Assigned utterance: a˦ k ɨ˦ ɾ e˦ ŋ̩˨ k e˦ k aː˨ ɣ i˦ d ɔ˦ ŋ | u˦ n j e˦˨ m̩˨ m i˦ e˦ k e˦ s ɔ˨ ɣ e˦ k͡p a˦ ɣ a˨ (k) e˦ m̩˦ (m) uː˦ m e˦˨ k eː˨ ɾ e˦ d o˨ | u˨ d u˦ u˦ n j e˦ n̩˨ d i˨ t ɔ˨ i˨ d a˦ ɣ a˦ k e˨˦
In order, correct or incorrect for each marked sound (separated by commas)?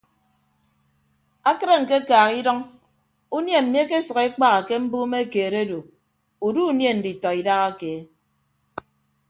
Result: correct, incorrect